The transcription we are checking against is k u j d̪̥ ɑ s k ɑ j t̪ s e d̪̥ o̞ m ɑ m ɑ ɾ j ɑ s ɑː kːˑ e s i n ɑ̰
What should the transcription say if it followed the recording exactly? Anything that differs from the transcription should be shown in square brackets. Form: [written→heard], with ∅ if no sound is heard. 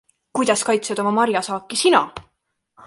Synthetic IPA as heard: k u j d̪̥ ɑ s k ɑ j t̪ s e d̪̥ o̞ m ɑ m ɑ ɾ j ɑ s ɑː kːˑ [e→i] s i n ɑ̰